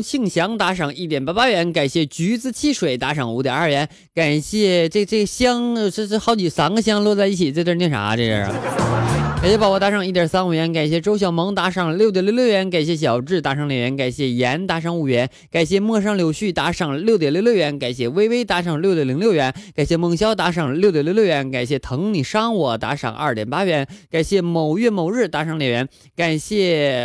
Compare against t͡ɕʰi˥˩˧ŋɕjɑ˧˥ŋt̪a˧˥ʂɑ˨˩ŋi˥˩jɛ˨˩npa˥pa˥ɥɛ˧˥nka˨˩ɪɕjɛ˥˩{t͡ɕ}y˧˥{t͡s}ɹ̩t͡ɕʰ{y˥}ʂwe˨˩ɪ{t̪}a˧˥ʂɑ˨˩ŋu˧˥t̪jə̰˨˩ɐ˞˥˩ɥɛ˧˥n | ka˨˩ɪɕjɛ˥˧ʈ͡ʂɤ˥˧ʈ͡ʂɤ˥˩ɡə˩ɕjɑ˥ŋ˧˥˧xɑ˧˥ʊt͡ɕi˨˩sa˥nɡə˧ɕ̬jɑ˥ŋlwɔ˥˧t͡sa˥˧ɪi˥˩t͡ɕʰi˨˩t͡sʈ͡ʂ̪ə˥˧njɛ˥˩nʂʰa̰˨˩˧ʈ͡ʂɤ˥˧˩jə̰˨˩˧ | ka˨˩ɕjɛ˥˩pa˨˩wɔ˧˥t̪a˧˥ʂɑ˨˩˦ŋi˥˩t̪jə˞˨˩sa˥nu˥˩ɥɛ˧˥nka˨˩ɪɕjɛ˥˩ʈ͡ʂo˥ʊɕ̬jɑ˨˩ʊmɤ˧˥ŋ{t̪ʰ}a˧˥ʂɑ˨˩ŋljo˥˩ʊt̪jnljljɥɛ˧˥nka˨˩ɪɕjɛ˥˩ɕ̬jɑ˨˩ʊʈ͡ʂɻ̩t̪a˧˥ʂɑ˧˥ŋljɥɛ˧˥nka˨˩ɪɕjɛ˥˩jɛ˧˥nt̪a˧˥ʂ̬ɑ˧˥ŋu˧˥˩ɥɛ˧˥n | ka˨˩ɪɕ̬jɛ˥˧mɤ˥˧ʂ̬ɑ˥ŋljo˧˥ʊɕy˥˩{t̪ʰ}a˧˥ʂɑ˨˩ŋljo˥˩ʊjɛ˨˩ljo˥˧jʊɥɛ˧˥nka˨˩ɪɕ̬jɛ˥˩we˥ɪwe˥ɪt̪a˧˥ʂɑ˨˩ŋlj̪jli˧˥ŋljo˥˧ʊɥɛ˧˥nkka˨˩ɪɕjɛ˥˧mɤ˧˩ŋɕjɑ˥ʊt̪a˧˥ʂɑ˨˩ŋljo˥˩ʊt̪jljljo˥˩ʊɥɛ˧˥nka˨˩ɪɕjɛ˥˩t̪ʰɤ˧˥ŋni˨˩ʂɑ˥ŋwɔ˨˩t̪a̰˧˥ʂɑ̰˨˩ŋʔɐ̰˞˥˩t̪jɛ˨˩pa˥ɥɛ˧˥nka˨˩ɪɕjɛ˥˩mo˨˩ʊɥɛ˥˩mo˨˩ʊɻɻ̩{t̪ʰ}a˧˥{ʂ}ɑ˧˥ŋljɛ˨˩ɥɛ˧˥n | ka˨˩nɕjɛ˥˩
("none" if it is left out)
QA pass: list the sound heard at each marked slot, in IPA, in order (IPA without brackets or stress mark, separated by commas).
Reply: t͡ɕ, t͡s, i˥, t̪, t̪, t̪, t̪, ʂ